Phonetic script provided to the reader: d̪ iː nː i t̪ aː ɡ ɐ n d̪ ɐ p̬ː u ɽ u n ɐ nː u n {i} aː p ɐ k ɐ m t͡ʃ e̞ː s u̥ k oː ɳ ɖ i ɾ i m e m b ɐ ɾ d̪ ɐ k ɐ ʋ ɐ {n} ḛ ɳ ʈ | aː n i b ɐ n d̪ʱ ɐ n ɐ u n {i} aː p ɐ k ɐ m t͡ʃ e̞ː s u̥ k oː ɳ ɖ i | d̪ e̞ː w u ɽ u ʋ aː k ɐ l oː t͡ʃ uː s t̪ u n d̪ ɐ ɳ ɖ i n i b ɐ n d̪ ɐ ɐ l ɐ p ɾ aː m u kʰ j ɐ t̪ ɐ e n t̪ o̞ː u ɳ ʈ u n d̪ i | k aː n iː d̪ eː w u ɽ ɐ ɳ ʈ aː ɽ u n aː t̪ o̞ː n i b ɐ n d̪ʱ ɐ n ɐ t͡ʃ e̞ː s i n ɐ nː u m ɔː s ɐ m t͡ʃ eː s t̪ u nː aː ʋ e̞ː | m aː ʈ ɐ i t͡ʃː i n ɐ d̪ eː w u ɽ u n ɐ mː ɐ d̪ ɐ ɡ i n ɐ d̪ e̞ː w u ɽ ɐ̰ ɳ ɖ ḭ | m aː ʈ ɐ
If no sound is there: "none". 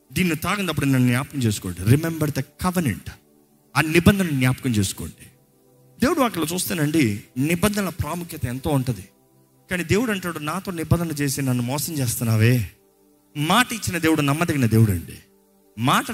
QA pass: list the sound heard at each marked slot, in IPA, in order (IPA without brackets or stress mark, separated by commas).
j, n, j